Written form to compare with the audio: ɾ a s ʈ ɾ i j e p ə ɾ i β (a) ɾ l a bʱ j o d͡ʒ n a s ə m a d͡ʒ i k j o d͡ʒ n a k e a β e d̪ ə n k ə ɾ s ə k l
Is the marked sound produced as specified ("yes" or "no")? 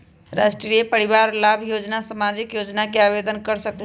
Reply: yes